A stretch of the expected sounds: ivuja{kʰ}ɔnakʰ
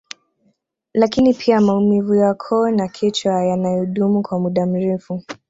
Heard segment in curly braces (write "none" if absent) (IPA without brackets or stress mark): kʰ